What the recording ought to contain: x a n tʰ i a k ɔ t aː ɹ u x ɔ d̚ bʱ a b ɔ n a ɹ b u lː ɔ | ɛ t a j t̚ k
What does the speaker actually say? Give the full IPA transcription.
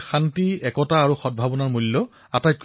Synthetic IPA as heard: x a n t i ɛ k ɔ t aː ɹ u x ɔ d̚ bʱ a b ɔ n a ɹ m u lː ɔ | a t a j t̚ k